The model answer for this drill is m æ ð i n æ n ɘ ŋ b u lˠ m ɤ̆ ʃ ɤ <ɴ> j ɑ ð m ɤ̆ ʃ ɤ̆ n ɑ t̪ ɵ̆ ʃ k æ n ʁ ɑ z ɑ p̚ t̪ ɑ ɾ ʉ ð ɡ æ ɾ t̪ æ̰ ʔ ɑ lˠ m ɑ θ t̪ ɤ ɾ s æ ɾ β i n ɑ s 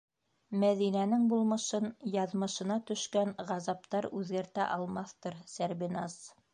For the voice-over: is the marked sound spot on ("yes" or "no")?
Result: no